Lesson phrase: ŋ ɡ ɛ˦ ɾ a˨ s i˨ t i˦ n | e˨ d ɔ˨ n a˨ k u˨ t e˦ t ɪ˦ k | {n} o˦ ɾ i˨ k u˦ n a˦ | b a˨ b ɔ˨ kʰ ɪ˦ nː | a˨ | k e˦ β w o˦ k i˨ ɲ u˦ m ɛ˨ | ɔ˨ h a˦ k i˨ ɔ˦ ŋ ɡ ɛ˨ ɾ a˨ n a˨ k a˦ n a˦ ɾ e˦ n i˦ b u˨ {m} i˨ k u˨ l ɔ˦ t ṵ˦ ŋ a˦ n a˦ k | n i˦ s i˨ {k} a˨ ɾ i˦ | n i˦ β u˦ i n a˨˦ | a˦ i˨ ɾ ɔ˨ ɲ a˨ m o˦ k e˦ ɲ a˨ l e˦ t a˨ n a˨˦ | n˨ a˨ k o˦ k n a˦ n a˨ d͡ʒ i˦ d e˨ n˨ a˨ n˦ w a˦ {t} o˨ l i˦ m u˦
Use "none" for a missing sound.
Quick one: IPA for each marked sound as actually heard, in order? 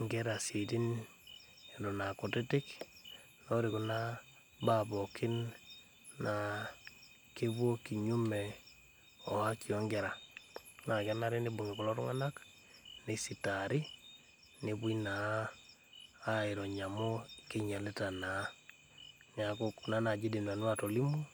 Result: n, ŋ, t, t

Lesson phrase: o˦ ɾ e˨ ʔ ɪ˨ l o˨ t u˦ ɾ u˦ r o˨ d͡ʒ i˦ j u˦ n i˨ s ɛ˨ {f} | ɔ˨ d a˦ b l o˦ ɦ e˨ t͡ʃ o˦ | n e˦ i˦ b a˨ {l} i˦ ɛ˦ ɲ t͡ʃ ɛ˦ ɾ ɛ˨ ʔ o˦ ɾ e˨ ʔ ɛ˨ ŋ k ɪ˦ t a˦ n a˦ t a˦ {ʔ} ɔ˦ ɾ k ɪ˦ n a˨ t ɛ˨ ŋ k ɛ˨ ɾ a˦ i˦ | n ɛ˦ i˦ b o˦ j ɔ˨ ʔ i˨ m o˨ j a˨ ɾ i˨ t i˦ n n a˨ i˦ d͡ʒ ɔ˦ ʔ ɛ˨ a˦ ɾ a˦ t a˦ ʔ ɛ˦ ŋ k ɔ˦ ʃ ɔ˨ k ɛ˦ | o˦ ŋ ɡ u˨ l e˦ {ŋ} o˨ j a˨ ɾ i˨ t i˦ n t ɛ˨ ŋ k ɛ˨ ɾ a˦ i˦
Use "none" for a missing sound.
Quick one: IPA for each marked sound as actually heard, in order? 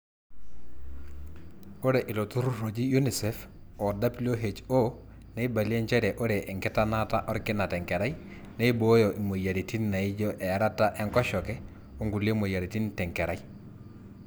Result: f, l, ʔ, m

